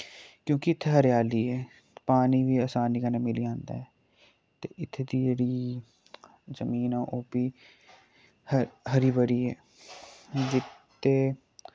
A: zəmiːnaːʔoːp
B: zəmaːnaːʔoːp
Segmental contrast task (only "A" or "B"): A